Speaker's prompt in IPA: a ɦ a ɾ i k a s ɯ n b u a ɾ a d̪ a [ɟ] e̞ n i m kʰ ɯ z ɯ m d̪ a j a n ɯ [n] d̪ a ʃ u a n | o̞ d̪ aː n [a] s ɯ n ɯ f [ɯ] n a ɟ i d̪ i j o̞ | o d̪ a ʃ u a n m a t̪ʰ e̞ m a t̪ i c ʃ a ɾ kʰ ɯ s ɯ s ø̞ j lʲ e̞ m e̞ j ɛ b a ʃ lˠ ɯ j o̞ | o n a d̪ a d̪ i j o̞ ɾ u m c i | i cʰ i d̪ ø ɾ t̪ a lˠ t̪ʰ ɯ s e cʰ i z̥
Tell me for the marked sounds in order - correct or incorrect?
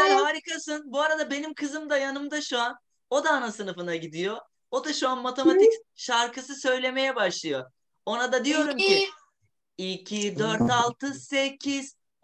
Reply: incorrect, incorrect, correct, correct

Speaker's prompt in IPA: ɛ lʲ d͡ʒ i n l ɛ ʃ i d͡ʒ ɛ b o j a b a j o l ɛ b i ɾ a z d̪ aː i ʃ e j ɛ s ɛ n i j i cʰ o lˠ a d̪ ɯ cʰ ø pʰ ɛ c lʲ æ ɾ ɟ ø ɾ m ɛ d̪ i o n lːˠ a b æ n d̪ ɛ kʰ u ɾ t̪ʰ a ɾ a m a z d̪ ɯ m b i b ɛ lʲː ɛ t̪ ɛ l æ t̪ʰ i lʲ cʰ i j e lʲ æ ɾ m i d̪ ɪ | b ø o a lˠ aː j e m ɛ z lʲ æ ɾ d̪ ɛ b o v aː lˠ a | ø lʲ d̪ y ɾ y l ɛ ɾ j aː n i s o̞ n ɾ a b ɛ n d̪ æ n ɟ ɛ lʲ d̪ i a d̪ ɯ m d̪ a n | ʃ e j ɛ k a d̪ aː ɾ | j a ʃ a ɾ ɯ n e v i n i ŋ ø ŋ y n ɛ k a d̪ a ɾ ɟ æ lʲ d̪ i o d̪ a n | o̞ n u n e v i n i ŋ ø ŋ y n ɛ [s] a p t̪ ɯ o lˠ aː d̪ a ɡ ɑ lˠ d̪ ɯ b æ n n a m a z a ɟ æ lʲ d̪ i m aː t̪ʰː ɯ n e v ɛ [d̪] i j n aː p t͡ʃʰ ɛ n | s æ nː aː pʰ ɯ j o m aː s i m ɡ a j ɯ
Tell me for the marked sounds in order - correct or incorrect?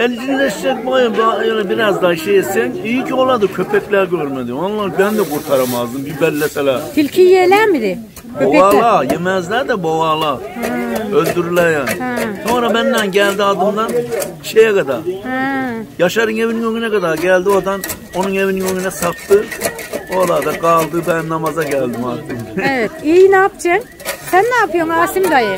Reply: correct, incorrect

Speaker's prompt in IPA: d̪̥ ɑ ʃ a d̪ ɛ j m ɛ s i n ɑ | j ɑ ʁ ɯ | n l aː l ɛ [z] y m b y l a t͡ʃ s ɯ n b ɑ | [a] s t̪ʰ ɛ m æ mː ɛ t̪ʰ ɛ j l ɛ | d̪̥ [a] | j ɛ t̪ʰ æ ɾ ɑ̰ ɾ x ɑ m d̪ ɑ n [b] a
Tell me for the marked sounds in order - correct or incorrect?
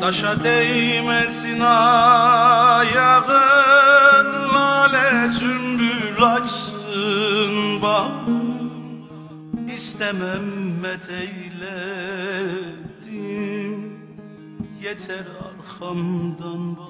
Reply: correct, incorrect, incorrect, correct

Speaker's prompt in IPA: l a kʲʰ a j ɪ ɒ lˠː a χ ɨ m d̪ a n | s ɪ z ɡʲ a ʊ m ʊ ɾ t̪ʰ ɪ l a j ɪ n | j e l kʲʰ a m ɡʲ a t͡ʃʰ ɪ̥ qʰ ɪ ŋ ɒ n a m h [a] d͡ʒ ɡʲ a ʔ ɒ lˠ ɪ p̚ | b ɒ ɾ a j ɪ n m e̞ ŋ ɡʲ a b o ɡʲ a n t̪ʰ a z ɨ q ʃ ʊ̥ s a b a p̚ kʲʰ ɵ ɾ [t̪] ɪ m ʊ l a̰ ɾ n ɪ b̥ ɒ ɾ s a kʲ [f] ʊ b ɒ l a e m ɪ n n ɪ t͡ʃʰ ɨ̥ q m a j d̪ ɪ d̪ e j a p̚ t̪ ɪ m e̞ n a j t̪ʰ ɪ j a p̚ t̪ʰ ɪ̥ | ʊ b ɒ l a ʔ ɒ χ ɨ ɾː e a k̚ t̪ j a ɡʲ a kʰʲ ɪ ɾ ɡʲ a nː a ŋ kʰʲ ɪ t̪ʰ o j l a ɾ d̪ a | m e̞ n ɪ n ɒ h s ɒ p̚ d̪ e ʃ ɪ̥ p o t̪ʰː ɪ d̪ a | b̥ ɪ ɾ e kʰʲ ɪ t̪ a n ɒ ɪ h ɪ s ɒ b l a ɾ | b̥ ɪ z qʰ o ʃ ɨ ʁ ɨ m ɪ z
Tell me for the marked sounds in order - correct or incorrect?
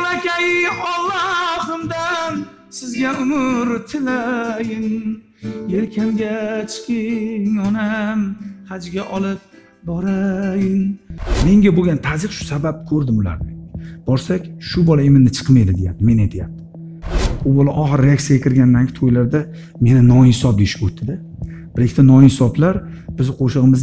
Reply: correct, incorrect, incorrect

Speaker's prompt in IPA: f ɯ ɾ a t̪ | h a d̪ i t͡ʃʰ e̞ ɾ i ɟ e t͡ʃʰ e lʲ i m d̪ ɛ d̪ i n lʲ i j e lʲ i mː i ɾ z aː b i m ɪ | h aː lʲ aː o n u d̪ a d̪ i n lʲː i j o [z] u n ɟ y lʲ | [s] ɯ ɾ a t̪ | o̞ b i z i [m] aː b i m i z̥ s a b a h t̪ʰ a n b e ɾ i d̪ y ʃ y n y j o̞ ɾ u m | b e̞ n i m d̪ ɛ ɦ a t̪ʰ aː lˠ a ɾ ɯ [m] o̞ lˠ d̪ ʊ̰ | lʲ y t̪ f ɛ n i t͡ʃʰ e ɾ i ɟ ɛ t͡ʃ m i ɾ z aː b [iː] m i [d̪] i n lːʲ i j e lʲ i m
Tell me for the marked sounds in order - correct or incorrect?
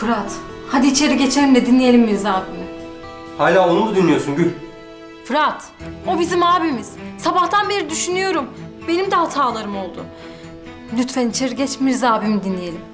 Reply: incorrect, incorrect, correct, correct, incorrect, correct

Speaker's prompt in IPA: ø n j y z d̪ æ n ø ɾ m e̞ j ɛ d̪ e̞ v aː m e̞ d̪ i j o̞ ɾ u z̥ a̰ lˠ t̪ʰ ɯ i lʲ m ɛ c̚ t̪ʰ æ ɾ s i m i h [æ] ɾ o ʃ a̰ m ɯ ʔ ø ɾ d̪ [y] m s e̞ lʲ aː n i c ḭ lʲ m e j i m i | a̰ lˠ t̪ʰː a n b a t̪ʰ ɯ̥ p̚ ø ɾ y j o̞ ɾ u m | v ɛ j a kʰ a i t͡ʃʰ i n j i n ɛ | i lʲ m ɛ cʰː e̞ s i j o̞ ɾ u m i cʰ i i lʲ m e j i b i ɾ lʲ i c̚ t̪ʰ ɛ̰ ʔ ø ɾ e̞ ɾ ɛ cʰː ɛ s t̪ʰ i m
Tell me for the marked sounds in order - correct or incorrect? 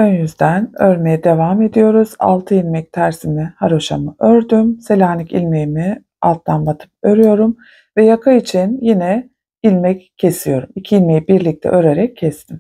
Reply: incorrect, correct

